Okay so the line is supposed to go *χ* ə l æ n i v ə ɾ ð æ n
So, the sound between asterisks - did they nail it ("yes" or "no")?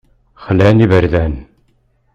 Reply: yes